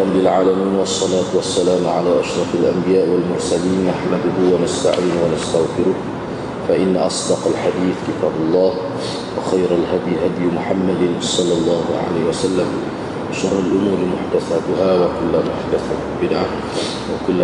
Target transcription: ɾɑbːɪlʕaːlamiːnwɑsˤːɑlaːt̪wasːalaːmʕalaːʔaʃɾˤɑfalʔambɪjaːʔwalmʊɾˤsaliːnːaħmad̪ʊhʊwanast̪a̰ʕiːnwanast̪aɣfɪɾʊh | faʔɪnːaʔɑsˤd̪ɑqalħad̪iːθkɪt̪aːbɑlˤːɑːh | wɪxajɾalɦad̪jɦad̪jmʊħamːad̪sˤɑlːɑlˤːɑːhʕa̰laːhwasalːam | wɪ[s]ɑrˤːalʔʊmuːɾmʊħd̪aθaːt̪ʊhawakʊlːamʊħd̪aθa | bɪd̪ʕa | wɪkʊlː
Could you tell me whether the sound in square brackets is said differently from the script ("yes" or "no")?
yes